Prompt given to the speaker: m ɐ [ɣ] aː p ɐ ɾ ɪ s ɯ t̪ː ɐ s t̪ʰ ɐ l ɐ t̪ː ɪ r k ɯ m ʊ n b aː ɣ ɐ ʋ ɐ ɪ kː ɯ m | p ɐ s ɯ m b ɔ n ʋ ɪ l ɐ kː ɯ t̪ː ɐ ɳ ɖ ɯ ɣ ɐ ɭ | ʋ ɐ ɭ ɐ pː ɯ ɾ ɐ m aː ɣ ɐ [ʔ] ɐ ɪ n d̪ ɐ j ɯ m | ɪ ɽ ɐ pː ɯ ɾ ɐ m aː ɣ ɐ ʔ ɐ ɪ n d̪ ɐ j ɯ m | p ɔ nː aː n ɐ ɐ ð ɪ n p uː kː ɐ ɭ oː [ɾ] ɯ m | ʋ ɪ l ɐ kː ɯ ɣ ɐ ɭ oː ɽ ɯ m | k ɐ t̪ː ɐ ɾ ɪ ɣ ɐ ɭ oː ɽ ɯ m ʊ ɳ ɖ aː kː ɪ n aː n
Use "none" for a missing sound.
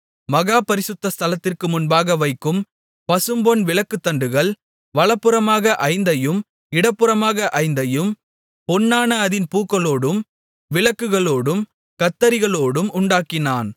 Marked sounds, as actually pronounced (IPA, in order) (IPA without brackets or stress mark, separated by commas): ɣ, ʔ, ɽ